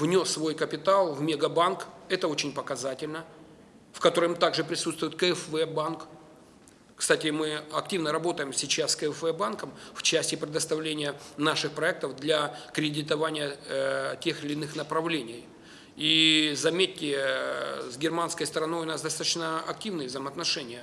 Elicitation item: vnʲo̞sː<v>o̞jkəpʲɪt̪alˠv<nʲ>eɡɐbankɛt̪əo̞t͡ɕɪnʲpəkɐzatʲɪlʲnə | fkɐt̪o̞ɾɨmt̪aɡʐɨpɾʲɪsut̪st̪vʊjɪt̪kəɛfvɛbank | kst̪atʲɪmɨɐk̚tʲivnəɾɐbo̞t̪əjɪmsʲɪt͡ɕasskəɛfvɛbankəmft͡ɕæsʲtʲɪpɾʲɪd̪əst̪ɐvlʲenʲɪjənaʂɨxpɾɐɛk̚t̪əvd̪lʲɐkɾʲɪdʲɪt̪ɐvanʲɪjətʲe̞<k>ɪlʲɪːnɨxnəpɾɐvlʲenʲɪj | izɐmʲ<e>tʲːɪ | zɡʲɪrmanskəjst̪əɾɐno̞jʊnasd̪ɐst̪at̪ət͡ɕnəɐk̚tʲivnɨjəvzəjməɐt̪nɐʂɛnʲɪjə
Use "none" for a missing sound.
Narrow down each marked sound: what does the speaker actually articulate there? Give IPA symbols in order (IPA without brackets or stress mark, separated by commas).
v, mʲ, x, e